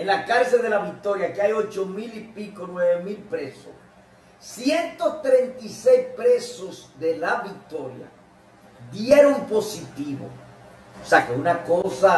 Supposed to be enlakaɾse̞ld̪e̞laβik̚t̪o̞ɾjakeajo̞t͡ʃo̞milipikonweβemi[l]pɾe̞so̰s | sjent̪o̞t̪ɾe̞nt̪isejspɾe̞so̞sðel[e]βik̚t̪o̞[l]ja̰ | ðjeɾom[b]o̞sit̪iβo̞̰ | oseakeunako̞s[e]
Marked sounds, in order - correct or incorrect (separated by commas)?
correct, incorrect, incorrect, incorrect, incorrect